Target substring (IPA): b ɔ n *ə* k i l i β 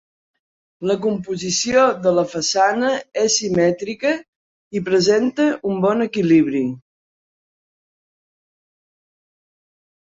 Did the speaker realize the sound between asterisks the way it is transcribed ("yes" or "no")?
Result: yes